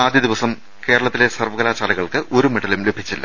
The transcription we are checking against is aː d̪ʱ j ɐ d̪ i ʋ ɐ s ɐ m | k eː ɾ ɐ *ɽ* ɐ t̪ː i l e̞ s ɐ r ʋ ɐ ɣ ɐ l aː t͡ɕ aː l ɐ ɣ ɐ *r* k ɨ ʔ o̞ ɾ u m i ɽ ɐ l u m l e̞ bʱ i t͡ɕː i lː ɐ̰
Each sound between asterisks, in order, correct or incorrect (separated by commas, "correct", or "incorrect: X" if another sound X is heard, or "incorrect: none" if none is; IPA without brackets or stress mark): incorrect: ɭ, incorrect: ɭ